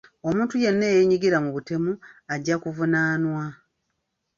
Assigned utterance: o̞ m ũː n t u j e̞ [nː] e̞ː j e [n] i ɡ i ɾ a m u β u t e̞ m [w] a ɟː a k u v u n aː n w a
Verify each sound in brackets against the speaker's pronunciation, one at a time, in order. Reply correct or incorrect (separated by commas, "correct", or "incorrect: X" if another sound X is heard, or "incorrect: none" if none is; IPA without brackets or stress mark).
correct, incorrect: ɲ, incorrect: u